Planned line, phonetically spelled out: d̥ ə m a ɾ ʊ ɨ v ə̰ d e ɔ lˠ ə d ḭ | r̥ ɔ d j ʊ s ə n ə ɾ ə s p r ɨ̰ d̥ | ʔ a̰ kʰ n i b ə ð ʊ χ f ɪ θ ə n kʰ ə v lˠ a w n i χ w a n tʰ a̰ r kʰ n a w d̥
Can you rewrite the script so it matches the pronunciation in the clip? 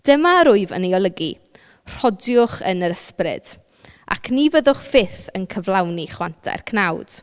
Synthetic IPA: d̥ ə m a ɾ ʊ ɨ v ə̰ n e ɔ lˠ ə ɡ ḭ | r̥ ɔ d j ʊ χ ə n ə ɾ ə s p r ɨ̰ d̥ | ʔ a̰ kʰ n i v ə ð ʊ χ f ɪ θ ə n kʰ ə v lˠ a w n i χ w a n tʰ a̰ r kʰ n a w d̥